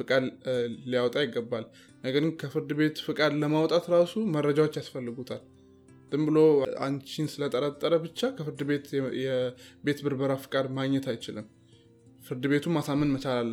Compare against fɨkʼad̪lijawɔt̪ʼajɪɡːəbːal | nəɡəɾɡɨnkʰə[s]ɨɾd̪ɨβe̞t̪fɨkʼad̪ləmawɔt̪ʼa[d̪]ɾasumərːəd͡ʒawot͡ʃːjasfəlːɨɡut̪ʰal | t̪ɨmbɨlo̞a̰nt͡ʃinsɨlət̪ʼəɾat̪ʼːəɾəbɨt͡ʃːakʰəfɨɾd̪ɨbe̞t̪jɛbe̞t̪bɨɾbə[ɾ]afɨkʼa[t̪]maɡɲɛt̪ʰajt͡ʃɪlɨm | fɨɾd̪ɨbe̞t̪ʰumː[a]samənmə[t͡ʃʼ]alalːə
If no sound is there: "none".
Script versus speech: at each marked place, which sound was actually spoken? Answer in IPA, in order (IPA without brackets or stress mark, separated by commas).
f, t̪, ɾ, d̪, a, t͡ʃ